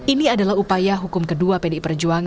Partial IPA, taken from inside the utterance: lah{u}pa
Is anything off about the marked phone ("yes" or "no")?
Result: no